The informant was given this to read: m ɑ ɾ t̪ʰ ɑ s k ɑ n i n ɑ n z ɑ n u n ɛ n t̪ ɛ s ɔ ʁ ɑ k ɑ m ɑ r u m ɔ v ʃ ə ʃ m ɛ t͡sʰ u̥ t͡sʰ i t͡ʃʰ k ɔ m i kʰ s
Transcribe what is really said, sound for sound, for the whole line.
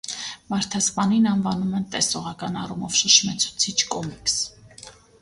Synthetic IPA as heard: m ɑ ɾ t̪ʰ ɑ s p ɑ n i n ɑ n v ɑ n u m ɛ n t̪ ɛ s ɔ ʁ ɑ k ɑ n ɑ r u m ɔ v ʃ ə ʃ m ɛ t͡sʰ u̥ t͡sʰ i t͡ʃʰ k ɔ m i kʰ s